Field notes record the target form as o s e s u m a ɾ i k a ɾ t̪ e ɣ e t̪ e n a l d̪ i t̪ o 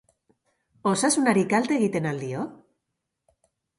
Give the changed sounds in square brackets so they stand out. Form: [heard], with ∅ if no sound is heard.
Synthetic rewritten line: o s [a] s u [n] a ɾ i k a [l] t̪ e ɣ [i] t̪ e n a l d̪ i [∅] o